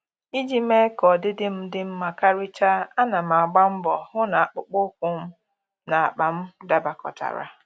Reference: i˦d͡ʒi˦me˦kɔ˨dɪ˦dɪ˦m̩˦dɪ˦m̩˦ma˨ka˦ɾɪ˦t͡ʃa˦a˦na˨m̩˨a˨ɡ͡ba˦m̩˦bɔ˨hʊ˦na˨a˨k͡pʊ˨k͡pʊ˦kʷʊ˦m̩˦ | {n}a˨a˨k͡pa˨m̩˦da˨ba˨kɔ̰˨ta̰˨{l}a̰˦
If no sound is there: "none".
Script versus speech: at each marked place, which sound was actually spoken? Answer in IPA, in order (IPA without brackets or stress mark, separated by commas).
n, ɾ